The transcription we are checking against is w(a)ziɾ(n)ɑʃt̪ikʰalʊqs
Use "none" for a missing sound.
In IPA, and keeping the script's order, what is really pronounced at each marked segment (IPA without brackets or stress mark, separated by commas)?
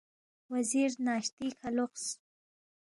a, n